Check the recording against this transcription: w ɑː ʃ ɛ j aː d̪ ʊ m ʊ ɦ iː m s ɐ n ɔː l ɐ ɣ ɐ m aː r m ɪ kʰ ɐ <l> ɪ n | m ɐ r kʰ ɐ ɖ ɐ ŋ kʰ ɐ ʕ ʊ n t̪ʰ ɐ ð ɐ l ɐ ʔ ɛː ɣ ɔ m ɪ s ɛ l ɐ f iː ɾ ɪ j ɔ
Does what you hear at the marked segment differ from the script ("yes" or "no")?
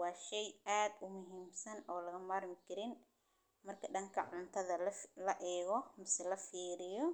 yes